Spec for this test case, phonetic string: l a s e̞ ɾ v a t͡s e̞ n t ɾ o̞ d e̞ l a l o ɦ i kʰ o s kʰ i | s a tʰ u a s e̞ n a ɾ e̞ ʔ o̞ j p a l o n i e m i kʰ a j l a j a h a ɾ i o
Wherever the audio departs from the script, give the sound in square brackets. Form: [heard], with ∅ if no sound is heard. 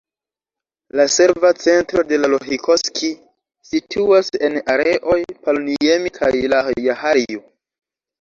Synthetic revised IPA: l a s e̞ ɾ v a t͡s e̞ n t ɾ o̞ d e̞ l a l o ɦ i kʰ o s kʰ i | s [i] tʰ u a s e̞ n a ɾ e̞ ʔ o̞ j p a l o n i e m i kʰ a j l a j a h a ɾ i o